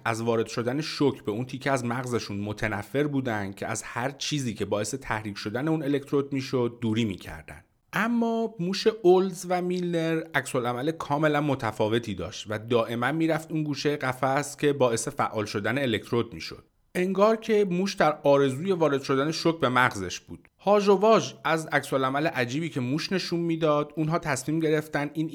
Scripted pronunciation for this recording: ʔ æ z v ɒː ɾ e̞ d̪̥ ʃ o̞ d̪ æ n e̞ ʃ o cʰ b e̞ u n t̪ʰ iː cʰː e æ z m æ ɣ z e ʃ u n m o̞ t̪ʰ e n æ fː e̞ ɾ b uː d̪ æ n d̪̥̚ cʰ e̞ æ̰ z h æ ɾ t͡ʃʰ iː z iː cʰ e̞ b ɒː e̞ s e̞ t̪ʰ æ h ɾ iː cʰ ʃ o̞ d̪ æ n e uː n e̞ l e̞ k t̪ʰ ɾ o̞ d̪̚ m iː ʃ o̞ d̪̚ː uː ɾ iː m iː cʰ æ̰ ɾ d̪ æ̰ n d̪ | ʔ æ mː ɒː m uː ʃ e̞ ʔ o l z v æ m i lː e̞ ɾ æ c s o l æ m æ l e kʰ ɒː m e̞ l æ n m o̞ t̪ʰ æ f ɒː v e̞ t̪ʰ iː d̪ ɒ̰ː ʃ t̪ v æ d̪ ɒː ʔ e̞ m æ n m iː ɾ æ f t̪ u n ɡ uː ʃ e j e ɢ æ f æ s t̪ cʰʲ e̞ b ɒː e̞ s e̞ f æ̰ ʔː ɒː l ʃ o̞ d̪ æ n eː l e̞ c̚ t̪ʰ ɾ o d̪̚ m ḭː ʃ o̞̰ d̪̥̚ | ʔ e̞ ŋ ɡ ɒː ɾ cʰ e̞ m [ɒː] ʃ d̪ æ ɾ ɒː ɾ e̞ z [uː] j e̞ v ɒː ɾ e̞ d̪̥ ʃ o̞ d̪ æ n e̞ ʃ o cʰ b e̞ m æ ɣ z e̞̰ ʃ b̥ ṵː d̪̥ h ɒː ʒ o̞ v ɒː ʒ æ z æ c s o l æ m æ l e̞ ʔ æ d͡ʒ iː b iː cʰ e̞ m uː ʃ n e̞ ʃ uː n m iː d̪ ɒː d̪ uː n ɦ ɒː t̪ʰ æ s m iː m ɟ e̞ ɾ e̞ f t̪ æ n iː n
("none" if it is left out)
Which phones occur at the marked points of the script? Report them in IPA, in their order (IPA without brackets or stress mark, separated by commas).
uː, uː